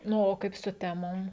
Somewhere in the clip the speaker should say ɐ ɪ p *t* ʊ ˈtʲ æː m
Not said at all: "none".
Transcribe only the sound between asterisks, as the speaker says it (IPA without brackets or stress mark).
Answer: s